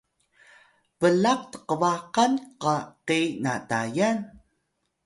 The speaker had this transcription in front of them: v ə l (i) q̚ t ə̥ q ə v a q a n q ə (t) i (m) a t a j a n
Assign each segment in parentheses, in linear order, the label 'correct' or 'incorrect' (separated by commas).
incorrect, incorrect, incorrect